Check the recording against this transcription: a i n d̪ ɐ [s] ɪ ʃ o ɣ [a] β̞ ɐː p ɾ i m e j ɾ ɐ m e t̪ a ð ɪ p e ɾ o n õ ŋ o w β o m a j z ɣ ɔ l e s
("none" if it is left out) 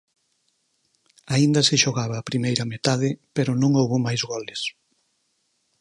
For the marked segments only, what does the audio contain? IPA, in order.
s, a

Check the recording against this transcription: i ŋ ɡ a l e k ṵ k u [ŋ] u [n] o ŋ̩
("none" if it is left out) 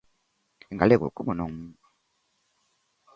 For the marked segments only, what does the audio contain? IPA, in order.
m, n

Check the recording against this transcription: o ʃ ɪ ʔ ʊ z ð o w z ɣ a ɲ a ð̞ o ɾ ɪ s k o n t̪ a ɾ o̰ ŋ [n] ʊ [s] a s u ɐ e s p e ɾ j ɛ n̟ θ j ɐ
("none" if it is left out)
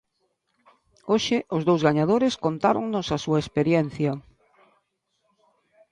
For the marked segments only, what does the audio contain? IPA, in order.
n, s

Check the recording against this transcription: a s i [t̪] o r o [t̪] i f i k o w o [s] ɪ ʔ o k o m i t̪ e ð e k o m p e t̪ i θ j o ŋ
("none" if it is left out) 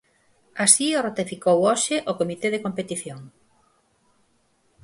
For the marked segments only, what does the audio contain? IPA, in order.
none, t̪, ʃ

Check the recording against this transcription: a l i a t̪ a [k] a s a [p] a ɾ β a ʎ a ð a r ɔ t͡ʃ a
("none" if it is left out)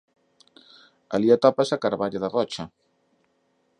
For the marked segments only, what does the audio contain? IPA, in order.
p, k

